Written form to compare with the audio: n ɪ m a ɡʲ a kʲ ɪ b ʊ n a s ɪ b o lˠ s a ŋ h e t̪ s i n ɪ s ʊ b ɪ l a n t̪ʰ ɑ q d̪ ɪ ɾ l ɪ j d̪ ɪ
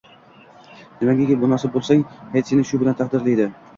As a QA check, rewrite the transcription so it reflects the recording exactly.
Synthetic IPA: n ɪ m a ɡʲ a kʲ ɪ b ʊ n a s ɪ b o lˠ s a ŋ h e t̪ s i n ɪ ʃ ʊ b ɪ l a n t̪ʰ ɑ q d̪ ɪ ɾ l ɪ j d̪ ɪ